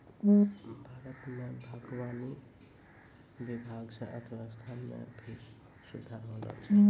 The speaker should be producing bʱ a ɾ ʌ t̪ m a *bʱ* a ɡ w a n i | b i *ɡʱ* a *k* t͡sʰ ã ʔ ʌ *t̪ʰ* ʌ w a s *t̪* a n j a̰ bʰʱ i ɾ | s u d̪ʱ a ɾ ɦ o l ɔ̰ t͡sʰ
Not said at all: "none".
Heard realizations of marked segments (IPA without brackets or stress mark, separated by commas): bʱ, bʱ, ɡ, t̪ʰ, t̪ʰ